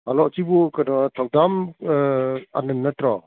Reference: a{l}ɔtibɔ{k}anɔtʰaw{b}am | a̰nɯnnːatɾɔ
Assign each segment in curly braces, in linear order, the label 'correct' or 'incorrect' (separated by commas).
correct, correct, incorrect